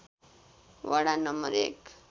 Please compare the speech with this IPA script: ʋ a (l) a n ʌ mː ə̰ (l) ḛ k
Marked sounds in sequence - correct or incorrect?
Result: incorrect, incorrect

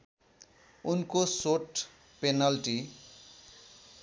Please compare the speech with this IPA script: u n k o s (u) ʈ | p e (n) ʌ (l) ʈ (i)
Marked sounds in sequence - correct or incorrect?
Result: incorrect, correct, correct, correct

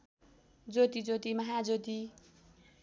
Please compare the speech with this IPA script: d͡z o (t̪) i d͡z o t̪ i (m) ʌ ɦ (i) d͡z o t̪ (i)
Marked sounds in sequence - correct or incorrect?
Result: correct, correct, incorrect, correct

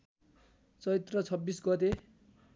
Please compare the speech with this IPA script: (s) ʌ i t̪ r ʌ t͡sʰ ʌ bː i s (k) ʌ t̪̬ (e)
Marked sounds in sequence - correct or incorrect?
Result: incorrect, incorrect, correct

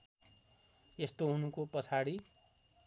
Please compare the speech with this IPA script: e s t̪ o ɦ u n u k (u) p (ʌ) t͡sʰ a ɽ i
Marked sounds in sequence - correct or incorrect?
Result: incorrect, correct

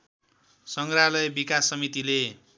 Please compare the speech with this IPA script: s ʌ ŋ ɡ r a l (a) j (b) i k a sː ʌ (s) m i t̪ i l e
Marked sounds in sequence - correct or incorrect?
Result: incorrect, correct, incorrect

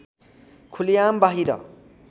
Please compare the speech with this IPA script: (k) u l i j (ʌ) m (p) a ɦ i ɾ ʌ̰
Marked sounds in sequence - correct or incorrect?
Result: incorrect, incorrect, incorrect

